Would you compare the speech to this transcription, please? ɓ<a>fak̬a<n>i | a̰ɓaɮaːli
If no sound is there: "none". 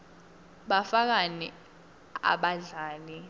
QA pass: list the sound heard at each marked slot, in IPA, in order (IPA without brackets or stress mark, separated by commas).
a, n